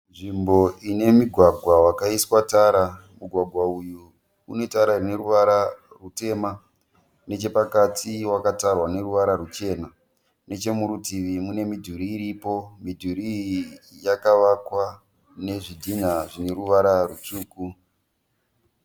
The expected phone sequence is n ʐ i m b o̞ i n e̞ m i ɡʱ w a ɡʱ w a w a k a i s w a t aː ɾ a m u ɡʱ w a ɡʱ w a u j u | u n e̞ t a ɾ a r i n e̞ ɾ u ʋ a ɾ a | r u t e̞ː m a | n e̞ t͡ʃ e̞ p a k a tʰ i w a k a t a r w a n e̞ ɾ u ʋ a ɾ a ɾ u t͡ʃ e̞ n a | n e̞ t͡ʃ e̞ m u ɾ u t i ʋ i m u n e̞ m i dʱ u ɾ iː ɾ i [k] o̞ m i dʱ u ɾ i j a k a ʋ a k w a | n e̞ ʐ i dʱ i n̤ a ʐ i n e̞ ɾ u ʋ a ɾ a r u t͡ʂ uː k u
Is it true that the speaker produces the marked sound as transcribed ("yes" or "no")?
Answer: no